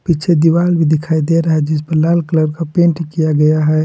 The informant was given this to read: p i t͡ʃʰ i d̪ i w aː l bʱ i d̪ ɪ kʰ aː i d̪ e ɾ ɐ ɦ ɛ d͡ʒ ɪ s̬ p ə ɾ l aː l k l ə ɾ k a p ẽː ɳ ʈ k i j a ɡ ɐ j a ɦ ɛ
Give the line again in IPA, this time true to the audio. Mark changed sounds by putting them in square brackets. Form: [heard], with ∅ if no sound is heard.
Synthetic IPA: p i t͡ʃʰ [e] d̪ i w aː l bʱ i d̪ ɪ kʰ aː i d̪ e ɾ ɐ ɦ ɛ d͡ʒ ɪ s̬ p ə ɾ l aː l k l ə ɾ k a p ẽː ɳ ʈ k i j a ɡ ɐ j a ɦ ɛ